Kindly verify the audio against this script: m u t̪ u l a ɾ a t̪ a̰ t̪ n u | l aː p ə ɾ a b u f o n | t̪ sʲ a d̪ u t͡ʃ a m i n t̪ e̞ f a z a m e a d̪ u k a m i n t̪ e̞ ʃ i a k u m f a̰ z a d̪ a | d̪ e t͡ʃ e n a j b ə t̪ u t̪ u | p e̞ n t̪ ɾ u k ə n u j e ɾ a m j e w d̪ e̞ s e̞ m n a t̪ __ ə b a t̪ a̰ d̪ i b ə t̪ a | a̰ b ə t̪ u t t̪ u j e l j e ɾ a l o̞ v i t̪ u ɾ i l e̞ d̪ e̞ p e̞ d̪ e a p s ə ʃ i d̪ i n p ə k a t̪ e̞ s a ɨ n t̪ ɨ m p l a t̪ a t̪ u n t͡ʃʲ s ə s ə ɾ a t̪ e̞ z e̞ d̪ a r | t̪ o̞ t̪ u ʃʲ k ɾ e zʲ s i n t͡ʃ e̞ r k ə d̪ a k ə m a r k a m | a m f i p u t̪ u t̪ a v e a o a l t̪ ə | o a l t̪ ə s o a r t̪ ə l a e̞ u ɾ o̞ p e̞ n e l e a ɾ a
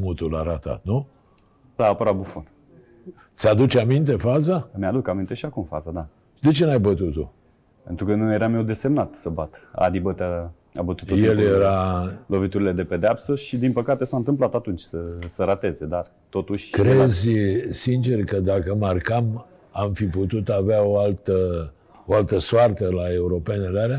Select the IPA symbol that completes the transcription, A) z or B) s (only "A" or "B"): B